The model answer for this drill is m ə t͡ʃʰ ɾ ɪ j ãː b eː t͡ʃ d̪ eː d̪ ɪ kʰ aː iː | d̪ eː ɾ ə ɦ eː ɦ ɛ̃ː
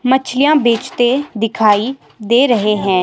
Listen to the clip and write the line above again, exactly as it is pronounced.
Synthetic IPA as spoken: m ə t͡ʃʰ l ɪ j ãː b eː t͡ʃ t̪ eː d̪ ɪ kʰ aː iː | d̪ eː ɾ ə ɦ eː ɦ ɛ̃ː